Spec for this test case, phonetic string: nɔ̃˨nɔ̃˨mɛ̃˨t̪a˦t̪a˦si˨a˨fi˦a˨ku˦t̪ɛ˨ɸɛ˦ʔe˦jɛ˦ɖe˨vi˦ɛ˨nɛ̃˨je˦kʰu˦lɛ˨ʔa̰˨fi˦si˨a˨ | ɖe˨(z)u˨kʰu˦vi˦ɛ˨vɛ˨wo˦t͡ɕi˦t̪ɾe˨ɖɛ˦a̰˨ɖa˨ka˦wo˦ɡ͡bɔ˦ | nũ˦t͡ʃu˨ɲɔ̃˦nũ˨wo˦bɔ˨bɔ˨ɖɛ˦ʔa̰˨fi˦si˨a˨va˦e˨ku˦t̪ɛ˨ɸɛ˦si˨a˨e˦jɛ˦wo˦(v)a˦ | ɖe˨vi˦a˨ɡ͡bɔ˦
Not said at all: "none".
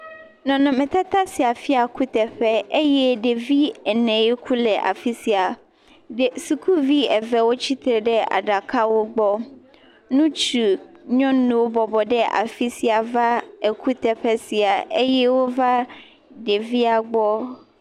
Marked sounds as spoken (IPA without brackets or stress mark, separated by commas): s, v